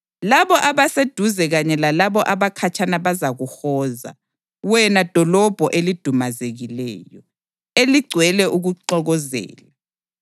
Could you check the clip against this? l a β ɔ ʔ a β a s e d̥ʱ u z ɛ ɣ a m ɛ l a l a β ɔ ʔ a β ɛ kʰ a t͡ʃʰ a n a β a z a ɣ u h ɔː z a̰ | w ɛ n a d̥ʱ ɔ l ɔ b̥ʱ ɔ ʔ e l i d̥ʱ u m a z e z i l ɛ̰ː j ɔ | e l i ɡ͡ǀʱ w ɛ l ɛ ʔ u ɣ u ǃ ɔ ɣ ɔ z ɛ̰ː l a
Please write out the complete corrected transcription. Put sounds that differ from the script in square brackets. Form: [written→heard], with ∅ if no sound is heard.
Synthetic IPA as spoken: l a β ɔ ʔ a β a s e d̥ʱ u z ɛ ɣ a [m→ɲ] ɛ l a l a β ɔ ʔ a β [ɛ→a] kʰ a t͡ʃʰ a n a β a z a ɣ u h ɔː z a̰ | w ɛ n a d̥ʱ ɔ l ɔ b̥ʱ ɔ ʔ e l i d̥ʱ u m a z e [z→ɣ] i l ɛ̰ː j ɔ | e l i ɡ͡ǀʱ w ɛ l ɛ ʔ u ɣ u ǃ ɔ ɣ ɔ z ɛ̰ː l a